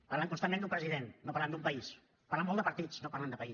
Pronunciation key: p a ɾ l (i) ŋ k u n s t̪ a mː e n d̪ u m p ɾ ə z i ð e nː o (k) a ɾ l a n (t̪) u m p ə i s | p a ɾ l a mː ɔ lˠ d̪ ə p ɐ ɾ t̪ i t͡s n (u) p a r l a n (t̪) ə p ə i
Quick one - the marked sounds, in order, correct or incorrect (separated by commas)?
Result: incorrect, incorrect, incorrect, incorrect, incorrect